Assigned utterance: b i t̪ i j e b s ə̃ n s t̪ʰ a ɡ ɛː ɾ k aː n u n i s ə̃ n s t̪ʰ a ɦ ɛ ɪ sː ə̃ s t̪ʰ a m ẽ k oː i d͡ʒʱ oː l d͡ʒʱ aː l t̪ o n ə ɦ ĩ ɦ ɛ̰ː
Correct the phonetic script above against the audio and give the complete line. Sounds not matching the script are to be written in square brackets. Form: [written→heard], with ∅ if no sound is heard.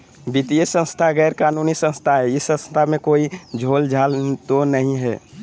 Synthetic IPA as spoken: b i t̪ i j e [b→∅] s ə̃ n s t̪ʰ a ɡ ɛː ɾ k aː n u n i s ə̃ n s t̪ʰ a ɦ ɛ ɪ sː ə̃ s t̪ʰ a m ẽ k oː i d͡ʒʱ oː l d͡ʒʱ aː l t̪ o n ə ɦ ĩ ɦ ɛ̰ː